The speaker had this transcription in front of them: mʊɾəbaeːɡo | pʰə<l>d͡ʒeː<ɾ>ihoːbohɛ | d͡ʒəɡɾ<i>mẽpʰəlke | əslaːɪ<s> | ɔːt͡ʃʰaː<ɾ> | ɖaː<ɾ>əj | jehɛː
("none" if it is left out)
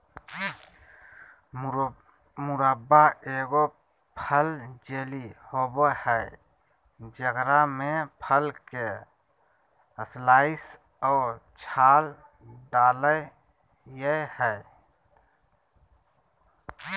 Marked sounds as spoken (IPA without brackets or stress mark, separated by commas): l, l, a, s, l, l